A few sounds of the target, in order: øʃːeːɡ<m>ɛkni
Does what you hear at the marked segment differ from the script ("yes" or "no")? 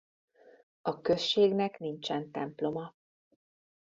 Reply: yes